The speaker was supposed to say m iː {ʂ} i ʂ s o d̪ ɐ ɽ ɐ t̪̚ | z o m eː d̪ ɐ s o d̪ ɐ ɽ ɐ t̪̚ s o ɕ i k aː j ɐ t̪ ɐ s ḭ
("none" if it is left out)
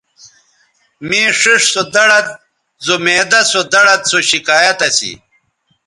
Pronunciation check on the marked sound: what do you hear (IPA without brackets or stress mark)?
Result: ʂ